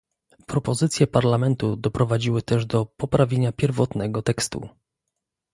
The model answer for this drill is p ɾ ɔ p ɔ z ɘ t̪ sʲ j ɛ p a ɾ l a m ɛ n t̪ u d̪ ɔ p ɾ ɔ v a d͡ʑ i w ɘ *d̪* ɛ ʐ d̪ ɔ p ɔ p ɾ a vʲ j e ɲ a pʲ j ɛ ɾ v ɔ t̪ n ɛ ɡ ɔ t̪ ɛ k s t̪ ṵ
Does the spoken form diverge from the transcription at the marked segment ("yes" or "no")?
yes